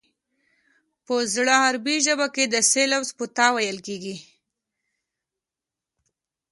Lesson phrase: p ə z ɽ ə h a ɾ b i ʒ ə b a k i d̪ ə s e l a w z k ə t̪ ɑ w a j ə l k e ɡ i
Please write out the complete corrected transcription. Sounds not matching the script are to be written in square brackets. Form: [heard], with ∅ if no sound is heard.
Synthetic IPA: p ə z ɽ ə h a ɾ b i ʒ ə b a k [e] d̪ ə s e l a w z [p] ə t̪ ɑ w a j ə l k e ɡ i